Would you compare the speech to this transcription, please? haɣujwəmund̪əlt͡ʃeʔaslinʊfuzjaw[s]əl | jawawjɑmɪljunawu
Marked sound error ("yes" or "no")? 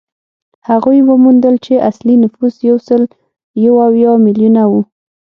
no